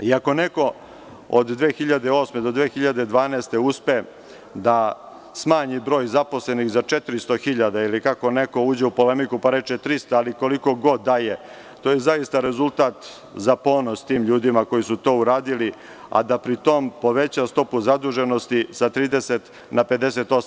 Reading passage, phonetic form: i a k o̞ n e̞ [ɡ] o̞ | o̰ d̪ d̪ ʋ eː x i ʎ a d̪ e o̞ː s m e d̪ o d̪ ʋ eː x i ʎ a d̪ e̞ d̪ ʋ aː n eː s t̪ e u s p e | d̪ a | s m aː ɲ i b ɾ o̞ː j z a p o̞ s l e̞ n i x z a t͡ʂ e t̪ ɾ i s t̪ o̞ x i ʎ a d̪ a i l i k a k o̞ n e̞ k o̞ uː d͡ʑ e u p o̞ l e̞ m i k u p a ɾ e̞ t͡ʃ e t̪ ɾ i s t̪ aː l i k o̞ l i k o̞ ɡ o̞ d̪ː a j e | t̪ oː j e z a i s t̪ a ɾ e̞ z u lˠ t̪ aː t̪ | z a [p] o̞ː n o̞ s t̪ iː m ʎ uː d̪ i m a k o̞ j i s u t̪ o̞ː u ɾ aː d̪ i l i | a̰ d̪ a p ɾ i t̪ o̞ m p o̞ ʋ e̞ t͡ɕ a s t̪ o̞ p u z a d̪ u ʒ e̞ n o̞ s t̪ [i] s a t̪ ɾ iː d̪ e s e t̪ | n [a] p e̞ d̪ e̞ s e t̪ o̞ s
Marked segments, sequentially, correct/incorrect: incorrect: k, correct, correct, correct

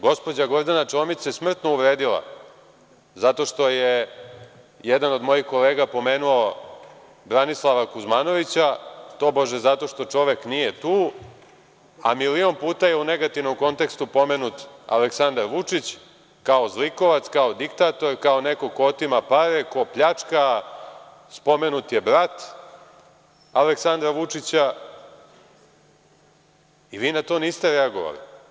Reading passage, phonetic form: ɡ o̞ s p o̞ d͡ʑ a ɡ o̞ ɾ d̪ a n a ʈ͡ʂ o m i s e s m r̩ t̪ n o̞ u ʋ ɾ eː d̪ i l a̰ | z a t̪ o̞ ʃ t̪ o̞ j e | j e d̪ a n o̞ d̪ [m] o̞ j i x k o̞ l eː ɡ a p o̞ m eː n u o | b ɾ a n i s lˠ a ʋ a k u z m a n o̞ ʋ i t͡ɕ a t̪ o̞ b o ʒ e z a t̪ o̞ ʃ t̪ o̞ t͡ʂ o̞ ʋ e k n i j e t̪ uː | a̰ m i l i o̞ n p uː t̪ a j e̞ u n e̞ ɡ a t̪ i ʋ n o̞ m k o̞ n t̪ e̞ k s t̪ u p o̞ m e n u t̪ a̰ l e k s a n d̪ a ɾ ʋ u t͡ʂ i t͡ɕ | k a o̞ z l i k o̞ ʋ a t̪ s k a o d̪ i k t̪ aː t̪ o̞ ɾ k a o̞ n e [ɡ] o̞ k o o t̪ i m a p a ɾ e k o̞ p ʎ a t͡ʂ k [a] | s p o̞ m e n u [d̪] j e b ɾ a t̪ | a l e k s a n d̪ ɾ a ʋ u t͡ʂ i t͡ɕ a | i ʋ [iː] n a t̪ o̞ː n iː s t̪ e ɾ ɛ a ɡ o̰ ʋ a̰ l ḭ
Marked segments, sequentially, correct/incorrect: correct, incorrect: k, correct, incorrect: t̪, correct

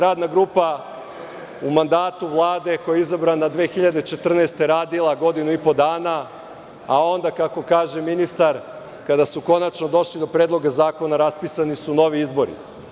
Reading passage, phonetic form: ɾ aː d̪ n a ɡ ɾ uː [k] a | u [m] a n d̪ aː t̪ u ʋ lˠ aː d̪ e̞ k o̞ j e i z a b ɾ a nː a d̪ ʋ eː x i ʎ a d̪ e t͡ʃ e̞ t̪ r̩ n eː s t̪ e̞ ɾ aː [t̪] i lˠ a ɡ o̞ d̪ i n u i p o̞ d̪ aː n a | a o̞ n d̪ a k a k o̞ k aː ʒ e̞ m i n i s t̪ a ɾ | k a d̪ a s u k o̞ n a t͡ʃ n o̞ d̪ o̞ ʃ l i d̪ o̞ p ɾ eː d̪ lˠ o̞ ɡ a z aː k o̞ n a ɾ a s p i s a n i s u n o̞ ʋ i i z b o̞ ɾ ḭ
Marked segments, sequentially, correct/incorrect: incorrect: p, correct, incorrect: d̪

